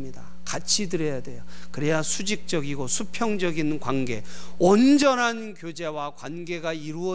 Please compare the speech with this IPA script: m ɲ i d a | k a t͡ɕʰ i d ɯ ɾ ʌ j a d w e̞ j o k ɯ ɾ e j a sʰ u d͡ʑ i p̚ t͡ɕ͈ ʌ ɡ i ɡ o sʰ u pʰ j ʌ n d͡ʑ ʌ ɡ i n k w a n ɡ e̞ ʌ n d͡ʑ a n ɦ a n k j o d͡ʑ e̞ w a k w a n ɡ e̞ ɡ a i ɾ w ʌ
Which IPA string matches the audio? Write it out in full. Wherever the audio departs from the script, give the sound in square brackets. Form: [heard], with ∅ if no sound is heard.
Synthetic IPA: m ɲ i d a | k a t͡ɕʰ i d ɯ ɾ ʌ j a d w e̞ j o k ɯ ɾ e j a sʰ u d͡ʑ i [k̚] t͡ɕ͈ ʌ ɡ i ɡ o sʰ u pʰ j ʌ [ŋ] d͡ʑ ʌ ɡ i n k w a n ɡ e̞ ʌ n d͡ʑ [ʌ] n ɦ a n k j o d͡ʑ e̞ w a k w a n ɡ e̞ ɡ a i ɾ [u] ʌ